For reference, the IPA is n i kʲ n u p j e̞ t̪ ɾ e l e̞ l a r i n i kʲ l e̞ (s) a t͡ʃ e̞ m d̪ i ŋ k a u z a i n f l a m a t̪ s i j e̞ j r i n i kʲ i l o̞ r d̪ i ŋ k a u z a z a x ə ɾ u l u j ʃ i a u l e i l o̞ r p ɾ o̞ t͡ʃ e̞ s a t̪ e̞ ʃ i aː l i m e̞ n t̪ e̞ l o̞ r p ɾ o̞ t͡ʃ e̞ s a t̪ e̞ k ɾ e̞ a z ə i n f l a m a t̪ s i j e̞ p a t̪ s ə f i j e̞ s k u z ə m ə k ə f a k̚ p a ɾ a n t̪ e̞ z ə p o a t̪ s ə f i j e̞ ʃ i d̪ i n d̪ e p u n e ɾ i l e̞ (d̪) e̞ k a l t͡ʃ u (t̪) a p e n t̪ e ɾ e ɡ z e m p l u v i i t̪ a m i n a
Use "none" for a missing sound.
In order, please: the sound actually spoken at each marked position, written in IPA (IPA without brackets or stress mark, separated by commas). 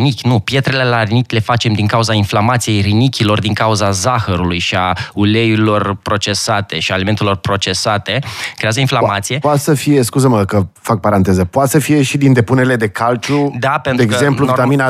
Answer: f, d̪, d̪